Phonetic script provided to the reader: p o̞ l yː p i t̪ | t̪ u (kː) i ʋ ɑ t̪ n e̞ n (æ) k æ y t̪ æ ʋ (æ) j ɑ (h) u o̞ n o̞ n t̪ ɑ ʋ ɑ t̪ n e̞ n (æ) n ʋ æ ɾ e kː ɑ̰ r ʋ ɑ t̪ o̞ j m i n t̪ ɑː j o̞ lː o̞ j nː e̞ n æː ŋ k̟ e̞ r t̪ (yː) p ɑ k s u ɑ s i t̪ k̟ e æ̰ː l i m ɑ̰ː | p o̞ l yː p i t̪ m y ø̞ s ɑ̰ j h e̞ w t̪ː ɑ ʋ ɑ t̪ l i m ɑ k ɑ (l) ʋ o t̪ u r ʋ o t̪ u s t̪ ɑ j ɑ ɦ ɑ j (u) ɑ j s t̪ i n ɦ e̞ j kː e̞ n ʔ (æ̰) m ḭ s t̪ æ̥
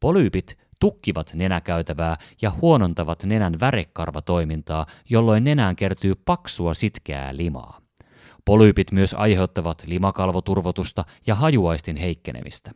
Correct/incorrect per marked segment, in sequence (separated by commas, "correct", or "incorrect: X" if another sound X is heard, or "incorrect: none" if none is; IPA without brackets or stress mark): correct, correct, incorrect: æː, correct, correct, correct, correct, correct, incorrect: ḛ